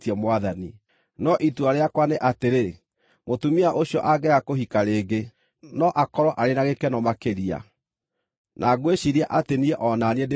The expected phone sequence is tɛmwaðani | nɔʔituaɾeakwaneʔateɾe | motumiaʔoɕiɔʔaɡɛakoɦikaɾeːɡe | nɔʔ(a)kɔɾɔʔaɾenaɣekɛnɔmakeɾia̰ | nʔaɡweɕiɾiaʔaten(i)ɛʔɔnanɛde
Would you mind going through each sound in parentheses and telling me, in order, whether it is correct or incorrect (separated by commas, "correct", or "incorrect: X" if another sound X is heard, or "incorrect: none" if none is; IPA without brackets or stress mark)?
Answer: correct, correct